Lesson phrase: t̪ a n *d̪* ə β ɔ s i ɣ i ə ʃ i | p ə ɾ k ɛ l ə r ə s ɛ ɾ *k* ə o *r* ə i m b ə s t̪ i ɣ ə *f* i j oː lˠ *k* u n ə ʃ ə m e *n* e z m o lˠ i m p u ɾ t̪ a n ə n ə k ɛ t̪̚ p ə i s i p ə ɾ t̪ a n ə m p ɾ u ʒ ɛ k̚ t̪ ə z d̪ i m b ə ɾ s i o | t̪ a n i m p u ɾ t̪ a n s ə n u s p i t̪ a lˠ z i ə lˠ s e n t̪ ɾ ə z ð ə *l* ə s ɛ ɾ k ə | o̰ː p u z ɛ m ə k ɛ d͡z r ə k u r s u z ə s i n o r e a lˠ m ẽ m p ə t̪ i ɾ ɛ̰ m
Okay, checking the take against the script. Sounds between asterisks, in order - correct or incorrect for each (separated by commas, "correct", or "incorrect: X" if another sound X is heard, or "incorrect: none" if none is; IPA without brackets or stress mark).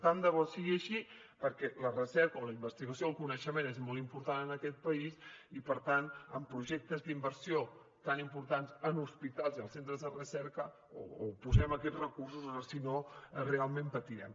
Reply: correct, correct, incorrect: l, incorrect: s, correct, correct, incorrect: r